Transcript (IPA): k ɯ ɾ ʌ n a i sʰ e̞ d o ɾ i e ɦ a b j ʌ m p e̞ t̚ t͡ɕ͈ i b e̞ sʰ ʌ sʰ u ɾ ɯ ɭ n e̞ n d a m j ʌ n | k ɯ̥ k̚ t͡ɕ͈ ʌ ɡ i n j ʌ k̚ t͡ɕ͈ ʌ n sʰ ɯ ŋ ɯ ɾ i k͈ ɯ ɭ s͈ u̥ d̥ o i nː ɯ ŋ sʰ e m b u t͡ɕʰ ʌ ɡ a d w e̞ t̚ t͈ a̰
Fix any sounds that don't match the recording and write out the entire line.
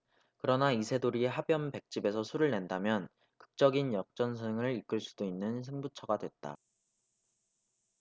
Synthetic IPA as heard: k ɯ ɾ ʌ n a i sʰ e̞ d o ɾ i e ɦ a b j ʌ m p e̞ k̚ t͡ɕ͈ i b e̞ sʰ ʌ sʰ u ɾ ɯ ɭ n e̞ n d a m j ʌ n | k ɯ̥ k̚ t͡ɕ͈ ʌ ɡ i n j ʌ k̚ t͡ɕ͈ ʌ n sʰ ɯ ŋ ɯ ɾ i k͈ ɯ ɭ s͈ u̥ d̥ o i nː ɯ n sʰ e ŋ b u t͡ɕʰ ʌ ɡ a d w e̞ t̚ t͈ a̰